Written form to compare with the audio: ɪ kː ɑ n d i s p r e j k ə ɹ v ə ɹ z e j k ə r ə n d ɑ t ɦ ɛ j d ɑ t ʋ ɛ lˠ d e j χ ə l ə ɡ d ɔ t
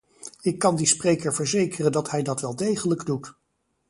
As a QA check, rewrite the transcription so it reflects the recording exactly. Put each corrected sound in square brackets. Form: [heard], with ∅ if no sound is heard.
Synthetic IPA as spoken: ɪ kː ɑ n d i s p r e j k ə ɹ v ə ɹ z e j k ə r ə n d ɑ t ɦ ɛ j d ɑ t ʋ ɛ lˠ d e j χ ə l ə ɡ d [u] t